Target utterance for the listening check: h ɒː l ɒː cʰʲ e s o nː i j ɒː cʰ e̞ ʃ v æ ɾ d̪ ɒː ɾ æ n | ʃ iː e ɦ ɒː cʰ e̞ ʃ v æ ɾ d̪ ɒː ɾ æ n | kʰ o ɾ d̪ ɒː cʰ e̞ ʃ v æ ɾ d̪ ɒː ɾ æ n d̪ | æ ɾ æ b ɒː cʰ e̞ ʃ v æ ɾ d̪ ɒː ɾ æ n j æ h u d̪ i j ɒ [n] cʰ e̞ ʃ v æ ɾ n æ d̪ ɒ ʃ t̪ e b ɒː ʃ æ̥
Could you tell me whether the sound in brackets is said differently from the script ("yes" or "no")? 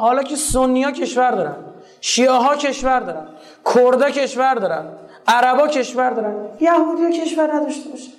yes